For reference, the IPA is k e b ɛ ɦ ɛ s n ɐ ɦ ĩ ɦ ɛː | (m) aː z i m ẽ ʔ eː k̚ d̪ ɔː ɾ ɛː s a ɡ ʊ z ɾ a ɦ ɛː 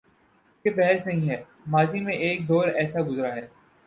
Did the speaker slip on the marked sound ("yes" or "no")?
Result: no